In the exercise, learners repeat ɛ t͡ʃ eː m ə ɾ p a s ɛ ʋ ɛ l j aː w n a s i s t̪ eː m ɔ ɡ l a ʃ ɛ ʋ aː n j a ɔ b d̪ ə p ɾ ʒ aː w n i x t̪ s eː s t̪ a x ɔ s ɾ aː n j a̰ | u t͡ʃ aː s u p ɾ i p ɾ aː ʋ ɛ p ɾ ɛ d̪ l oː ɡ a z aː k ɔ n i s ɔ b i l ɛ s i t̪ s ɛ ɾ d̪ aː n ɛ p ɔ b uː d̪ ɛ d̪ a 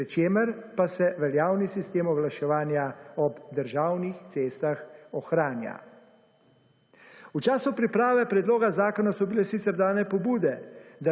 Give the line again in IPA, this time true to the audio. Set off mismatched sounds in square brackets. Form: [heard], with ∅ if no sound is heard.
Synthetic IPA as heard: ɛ t͡ʃ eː m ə ɾ p a s ɛ ʋ ɛ l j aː w n [i] s i s t̪ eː m ɔ ɡ l a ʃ ɛ ʋ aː n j a ɔ b d̪ ə [∅] ɾ ʒ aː w n i x t̪ s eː s t̪ a x ɔ [x] ɾ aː n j a̰ | u t͡ʃ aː s u p ɾ i p ɾ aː ʋ ɛ p ɾ ɛ d̪ l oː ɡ a z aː k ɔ n [a] s ɔ b i l ɛ s i t̪ s ɛ ɾ d̪ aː n ɛ p ɔ b uː d̪ ɛ d̪ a